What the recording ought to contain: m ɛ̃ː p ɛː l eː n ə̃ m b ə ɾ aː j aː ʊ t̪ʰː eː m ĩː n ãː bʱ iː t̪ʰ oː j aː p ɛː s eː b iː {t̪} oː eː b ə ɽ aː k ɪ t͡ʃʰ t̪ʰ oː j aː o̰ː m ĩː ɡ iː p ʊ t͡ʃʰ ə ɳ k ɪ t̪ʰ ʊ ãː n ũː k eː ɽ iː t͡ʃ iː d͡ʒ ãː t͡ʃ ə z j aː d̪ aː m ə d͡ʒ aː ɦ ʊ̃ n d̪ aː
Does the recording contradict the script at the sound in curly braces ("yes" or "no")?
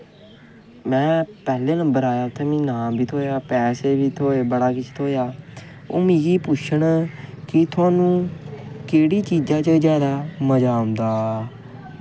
yes